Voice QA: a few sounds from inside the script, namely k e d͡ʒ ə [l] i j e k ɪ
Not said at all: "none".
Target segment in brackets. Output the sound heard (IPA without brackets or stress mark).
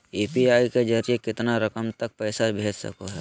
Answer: ɾ